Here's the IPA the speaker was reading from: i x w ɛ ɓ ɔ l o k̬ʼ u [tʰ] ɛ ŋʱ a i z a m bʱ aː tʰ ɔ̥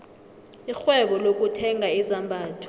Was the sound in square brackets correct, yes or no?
yes